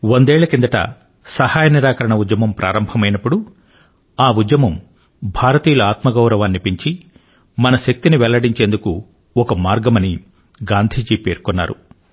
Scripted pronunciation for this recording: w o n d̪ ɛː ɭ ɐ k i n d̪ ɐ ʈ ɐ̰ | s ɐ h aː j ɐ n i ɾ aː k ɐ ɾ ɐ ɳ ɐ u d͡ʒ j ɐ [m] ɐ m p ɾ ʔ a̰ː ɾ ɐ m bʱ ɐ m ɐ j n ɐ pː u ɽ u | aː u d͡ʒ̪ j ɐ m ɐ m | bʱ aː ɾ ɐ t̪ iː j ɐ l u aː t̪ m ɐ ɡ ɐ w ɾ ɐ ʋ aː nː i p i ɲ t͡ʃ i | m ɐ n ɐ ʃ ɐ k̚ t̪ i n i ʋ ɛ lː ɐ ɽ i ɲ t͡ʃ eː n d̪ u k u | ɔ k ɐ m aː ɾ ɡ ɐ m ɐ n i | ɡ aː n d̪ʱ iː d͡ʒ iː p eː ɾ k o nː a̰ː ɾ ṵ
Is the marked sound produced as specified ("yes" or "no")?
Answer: yes